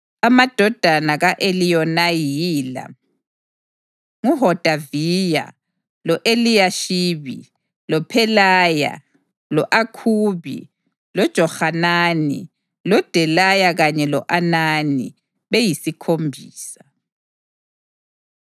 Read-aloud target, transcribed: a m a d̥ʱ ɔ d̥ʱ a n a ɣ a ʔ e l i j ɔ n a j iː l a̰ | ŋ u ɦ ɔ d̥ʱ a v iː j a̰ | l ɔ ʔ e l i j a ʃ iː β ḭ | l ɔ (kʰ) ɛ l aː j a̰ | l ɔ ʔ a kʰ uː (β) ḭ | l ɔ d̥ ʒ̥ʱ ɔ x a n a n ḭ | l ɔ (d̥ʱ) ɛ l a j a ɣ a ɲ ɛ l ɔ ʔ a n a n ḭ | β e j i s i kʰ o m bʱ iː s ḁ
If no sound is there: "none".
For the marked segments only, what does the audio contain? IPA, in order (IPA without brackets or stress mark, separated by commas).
pʰ, β, d̥ʱ